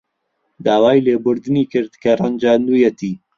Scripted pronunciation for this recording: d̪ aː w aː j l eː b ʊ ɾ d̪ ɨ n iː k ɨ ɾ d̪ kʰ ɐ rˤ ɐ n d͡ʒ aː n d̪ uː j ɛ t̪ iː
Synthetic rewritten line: d̪ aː w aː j l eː b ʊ ɾ d̪ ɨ n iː k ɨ ɾ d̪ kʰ ɐ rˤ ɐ n d͡ʒ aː n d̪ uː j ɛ t̪ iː